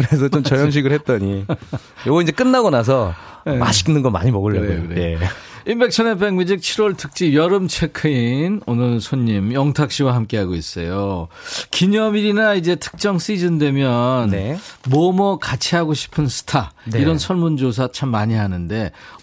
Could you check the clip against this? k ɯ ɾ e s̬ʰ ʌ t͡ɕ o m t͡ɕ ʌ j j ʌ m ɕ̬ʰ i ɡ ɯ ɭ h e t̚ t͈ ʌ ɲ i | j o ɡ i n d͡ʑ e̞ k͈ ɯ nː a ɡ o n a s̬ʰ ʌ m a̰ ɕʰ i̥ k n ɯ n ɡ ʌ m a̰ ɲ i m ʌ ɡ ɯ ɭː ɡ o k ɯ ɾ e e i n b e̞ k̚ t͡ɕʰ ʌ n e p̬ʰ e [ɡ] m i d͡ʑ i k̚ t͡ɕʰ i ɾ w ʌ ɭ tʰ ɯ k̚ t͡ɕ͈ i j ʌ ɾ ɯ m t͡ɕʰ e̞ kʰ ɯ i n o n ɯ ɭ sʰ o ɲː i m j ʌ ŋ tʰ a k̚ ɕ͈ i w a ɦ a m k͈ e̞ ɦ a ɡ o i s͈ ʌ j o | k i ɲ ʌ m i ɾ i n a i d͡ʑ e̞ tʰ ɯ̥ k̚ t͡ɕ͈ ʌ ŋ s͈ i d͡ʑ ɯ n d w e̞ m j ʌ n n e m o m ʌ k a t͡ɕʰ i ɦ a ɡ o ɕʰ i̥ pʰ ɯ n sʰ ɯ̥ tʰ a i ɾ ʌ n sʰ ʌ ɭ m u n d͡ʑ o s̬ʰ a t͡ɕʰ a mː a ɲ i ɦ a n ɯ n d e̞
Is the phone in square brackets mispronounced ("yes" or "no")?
yes